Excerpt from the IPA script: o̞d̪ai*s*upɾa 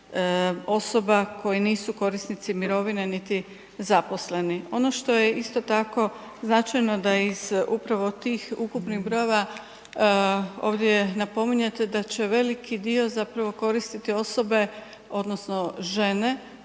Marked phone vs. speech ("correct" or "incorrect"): incorrect